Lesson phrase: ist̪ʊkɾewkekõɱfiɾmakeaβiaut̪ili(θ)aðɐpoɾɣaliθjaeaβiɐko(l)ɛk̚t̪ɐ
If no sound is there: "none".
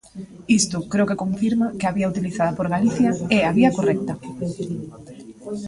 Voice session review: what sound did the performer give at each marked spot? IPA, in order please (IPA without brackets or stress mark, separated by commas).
θ, r